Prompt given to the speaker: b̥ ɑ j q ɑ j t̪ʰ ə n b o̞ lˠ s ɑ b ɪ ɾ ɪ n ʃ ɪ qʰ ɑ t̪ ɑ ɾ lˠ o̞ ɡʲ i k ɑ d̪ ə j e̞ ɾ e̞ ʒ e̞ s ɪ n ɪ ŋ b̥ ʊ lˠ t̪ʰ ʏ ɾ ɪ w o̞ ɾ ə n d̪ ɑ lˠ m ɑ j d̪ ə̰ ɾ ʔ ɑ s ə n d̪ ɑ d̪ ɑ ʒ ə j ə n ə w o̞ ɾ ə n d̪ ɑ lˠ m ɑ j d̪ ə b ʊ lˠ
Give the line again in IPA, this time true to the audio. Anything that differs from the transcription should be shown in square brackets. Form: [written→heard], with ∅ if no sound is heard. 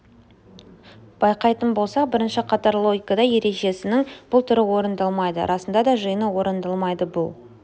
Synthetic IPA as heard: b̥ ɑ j q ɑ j [t̪ʰ→t̪] ə n b o̞ lˠ s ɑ b ɪ ɾ ɪ n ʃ ɪ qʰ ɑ t̪ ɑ ɾ lˠ o̞ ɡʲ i k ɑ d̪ [ə→ɑ] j e̞ ɾ e̞ ʒ e̞ s ɪ n ɪ ŋ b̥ ʊ lˠ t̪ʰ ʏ ɾ ɪ w o̞ ɾ ə n d̪ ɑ lˠ m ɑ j d̪ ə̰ ɾ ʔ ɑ s ə n d̪ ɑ d̪ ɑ ʒ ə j ə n ə w o̞ ɾ ə n d̪ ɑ lˠ m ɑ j d̪ ə b ʊ lˠ